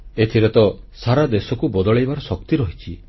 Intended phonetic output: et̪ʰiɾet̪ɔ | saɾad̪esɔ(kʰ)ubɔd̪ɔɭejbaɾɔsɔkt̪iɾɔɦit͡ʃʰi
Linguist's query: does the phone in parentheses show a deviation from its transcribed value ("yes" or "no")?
yes